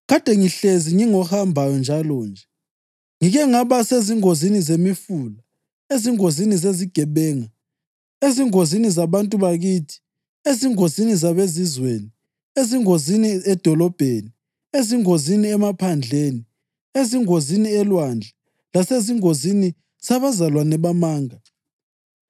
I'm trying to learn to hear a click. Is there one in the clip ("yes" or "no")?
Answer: no